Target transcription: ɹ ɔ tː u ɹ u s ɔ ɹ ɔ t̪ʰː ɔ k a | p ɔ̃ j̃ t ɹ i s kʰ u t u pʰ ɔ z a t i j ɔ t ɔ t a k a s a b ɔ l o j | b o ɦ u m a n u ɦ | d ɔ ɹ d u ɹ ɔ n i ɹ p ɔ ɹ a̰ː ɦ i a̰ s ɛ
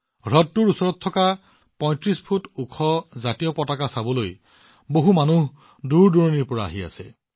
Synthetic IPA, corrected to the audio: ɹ ɔ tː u ɹ u s ɔ ɹ ɔ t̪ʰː ɔ k a | p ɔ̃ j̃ t ɹ i s pʰ u t u kʰ ɔ z a t i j ɔ p ɔ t a k a s a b ɔ l o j | b o ɦ u m a n u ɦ | d u ɹ d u ɹ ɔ n i ɹ p ɔ ɹ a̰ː ɦ i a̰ s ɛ